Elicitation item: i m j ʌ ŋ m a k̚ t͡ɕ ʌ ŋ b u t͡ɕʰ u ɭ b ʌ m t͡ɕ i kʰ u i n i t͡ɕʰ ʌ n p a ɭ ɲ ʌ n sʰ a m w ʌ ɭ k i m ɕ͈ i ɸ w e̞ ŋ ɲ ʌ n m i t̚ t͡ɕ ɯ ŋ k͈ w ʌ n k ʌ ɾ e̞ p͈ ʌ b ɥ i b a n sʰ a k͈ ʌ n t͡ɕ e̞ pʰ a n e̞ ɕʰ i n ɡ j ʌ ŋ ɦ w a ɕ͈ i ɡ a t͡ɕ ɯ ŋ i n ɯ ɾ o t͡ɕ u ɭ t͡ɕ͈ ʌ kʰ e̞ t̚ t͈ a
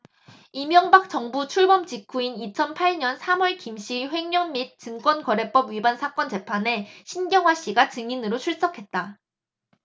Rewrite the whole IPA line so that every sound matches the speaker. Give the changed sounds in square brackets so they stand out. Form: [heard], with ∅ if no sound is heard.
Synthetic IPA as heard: i m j ʌ ŋ [b] a k̚ t͡ɕ ʌ ŋ b u t͡ɕʰ u ɭ b ʌ m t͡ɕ i kʰ u i n i t͡ɕʰ ʌ n [pʰ] a ɭ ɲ ʌ n sʰ a m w ʌ ɭ k i m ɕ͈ i ɸ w e̞ ŋ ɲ ʌ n m i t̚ t͡ɕ ɯ ŋ k͈ w ʌ n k ʌ ɾ e̞ p͈ ʌ b ɥ i b a n sʰ a k͈ ʌ n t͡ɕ e̞ pʰ a n e̞ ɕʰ i n ɡ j ʌ ŋ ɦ w a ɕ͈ i ɡ a t͡ɕ ɯ ŋ i n ɯ ɾ o [t͡ɕʰ] u ɭ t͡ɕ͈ ʌ kʰ e̞ t̚ t͈ a